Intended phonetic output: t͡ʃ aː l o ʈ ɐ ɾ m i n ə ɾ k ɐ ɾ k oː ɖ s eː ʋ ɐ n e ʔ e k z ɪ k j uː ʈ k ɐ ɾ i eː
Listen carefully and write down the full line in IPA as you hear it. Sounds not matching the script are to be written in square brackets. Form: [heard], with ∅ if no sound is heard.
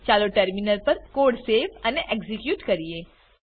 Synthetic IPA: t͡ʃ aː l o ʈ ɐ ɾ m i n ə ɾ [p] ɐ ɾ k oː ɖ s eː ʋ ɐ n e ʔ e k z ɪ k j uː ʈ k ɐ ɾ i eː